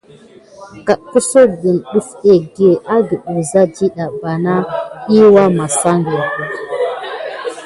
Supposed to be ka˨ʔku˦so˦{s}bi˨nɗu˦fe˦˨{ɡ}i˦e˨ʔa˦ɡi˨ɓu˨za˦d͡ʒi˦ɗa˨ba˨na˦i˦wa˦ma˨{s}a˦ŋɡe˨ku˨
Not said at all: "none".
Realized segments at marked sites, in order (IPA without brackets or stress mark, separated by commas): none, ɡ, s